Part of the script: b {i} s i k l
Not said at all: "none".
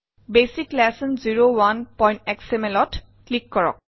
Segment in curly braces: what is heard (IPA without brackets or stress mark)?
e